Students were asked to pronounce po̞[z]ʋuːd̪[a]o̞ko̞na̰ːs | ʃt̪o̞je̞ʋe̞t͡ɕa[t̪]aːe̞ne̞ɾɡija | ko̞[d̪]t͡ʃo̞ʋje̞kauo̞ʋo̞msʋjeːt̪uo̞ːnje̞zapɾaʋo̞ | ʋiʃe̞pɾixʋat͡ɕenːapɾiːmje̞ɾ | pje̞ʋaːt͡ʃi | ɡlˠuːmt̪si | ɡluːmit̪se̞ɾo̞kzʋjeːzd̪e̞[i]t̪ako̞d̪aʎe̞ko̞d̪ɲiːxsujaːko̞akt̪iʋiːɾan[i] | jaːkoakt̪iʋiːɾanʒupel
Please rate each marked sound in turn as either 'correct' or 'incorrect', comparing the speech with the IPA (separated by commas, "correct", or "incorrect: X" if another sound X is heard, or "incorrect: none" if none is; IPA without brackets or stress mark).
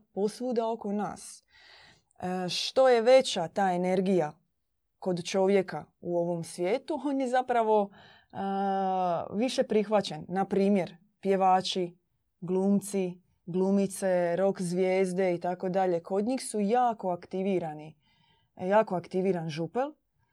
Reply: incorrect: s, correct, correct, correct, correct, correct